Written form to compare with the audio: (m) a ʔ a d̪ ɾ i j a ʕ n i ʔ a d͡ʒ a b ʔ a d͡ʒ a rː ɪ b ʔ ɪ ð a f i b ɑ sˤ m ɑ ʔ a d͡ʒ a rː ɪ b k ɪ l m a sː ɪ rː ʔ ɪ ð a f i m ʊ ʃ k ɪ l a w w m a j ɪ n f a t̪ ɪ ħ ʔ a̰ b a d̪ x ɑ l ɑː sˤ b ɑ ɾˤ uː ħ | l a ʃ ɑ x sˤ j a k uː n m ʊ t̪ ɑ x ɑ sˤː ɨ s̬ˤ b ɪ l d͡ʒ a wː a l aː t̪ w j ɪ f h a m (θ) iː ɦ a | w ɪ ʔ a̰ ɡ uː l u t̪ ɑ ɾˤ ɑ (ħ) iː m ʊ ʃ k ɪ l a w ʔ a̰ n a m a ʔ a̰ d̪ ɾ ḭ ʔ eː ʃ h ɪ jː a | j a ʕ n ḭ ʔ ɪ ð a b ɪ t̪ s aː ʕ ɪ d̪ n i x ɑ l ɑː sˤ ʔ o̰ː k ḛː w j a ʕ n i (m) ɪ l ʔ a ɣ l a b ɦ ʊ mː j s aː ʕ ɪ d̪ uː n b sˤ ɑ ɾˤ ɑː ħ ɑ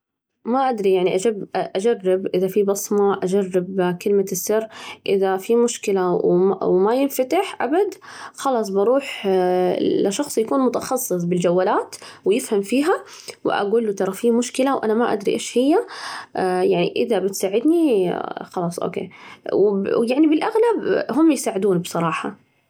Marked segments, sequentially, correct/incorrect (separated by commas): correct, incorrect, incorrect, incorrect